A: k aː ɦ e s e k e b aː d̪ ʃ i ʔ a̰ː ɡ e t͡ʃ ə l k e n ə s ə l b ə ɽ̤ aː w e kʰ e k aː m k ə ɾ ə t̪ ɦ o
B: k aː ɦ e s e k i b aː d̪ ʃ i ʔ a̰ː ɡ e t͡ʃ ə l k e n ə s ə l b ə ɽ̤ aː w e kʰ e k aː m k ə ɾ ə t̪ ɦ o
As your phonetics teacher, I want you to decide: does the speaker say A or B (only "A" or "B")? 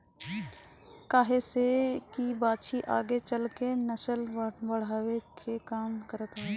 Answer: B